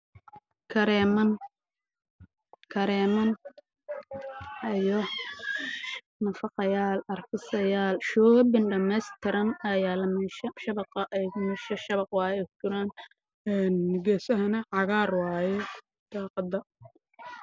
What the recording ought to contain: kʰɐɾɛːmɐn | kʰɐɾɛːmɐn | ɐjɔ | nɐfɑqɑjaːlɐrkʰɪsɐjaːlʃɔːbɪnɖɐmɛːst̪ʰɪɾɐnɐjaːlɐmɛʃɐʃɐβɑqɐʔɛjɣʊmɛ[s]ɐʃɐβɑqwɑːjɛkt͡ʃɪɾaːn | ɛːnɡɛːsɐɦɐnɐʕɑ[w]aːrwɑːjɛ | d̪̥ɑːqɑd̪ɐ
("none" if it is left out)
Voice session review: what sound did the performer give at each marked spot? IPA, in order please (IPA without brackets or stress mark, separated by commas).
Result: ʃ, ɣ